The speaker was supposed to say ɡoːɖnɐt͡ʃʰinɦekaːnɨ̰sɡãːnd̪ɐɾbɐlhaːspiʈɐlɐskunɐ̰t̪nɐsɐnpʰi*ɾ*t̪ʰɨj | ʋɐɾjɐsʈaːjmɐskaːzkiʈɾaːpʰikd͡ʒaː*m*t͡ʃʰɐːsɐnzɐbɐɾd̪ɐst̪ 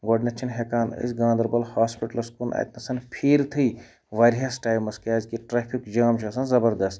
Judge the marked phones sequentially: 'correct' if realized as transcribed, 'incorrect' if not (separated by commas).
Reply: correct, correct